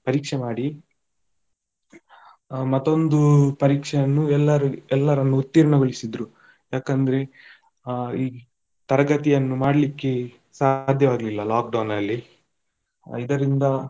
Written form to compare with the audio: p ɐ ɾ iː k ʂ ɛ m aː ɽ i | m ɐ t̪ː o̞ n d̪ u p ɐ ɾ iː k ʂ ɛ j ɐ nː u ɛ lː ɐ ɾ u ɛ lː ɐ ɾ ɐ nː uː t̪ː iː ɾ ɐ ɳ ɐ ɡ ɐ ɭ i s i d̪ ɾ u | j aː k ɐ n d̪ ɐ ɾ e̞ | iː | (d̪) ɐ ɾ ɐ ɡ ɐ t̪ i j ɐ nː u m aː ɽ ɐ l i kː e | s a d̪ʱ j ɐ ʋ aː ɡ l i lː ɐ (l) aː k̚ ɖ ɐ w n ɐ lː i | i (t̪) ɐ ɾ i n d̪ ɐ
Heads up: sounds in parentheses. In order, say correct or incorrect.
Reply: incorrect, correct, incorrect

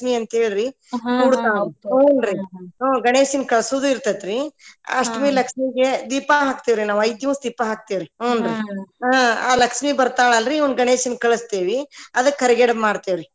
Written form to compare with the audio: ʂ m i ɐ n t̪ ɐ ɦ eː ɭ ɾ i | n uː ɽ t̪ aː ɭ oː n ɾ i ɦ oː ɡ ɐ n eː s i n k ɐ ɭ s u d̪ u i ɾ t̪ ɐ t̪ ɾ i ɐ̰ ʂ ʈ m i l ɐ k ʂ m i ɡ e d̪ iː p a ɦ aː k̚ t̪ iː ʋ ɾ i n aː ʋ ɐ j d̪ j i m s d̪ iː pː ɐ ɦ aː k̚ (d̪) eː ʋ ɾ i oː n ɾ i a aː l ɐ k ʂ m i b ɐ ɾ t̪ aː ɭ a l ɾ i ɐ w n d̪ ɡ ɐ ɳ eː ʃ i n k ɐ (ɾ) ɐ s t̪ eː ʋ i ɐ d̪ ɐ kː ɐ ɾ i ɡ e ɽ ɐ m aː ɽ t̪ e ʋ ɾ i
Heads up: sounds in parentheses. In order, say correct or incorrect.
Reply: incorrect, incorrect

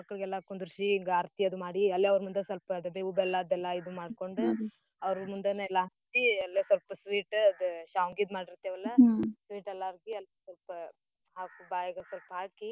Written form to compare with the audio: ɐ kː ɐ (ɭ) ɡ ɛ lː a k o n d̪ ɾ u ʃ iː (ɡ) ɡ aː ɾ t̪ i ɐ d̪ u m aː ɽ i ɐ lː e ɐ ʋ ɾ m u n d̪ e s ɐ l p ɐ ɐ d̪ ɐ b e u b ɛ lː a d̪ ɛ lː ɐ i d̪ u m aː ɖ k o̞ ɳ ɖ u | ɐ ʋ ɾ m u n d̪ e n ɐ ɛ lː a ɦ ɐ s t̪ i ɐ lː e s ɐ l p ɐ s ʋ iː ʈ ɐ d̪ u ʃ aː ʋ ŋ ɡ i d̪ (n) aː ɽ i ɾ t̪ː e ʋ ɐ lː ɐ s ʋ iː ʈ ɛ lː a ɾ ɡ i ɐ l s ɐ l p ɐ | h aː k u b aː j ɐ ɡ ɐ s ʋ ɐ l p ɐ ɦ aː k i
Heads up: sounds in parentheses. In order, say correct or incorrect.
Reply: correct, incorrect, incorrect

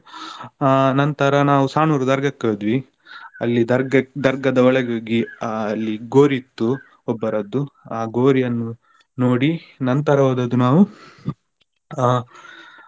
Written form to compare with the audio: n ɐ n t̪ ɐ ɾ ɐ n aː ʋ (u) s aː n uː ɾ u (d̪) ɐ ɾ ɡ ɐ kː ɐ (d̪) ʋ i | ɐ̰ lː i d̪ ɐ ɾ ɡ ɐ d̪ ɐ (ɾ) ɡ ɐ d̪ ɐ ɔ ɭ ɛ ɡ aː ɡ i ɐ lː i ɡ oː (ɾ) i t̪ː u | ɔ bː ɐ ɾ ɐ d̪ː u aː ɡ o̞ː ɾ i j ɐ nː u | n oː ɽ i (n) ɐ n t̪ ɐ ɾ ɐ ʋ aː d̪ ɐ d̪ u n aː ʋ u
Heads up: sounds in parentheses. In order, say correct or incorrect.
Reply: correct, correct, correct, correct, correct, correct

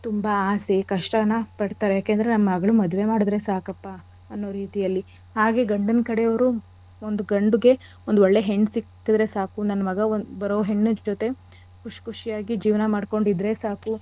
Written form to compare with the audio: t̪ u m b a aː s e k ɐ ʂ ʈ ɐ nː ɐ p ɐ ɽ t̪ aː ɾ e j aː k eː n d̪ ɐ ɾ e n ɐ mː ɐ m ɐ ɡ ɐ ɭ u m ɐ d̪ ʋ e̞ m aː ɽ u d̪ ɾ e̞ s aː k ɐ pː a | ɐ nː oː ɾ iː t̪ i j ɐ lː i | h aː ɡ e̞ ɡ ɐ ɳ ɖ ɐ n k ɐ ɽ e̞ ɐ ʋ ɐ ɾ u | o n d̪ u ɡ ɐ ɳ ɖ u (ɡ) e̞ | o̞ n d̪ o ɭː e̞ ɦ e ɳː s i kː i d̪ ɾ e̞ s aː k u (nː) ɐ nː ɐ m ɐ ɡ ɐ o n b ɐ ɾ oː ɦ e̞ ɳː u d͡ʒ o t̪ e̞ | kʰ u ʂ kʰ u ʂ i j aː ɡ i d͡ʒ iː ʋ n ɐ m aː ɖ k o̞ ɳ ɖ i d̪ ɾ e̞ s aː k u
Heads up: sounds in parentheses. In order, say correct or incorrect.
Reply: correct, incorrect

